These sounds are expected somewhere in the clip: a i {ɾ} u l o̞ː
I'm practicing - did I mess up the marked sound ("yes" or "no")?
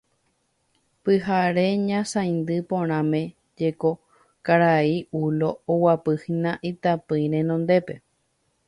yes